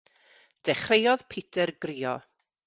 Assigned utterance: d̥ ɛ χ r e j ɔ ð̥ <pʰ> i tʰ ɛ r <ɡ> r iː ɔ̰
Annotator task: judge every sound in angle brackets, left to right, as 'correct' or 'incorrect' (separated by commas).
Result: correct, correct